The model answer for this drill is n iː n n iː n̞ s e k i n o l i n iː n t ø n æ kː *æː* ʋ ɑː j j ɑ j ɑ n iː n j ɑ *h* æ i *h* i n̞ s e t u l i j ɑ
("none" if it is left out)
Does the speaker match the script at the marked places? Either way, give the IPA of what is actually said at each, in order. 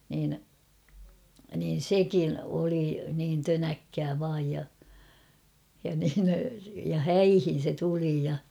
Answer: æː, h, h

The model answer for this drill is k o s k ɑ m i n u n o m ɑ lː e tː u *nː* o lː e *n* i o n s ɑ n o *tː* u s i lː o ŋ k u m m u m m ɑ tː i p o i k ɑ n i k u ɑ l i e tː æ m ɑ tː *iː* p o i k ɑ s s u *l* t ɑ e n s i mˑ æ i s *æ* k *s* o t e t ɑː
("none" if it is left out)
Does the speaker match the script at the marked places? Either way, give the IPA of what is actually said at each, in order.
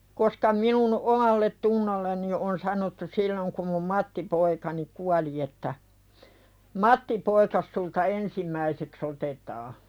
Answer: nː, n, tː, i, l, e, s

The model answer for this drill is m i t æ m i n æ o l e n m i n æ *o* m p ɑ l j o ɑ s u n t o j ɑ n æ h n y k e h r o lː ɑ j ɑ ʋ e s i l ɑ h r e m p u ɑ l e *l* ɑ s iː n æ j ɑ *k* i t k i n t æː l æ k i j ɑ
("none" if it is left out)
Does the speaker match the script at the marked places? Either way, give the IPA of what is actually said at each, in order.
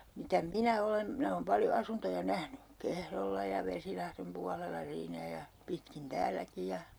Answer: oː, lː, p

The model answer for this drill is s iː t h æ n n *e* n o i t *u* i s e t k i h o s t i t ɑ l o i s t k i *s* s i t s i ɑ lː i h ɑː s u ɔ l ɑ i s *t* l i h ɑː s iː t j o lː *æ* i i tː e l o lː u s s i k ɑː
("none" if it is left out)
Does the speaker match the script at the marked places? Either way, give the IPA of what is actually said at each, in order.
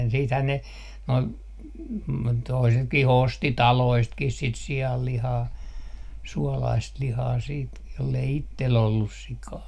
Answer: e, o, h, t, e

